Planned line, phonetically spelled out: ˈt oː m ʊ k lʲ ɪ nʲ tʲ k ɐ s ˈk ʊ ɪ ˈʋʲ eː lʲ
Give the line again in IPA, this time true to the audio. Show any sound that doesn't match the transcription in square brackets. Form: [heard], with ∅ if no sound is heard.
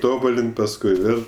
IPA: ˈt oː [b] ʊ [∅] lʲ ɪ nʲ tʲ [p] ɐ s ˈk ʊ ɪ ˈʋʲ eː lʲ